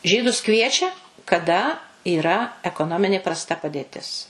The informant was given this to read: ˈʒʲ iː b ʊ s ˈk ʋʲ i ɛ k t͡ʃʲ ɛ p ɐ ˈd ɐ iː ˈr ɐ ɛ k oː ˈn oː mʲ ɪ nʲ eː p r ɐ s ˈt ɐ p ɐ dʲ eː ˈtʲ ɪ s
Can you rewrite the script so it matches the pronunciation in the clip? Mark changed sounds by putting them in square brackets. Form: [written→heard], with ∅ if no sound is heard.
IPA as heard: ˈʒʲ iː [b→d] ʊ s ˈk ʋʲ i ɛ [k→∅] t͡ʃʲ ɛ [p→k] ɐ ˈd ɐ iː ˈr ɐ ɛ k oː ˈn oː mʲ ɪ nʲ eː p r ɐ s ˈt ɐ p ɐ dʲ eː ˈtʲ ɪ s